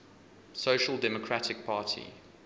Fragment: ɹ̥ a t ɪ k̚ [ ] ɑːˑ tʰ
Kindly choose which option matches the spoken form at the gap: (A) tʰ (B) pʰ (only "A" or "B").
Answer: B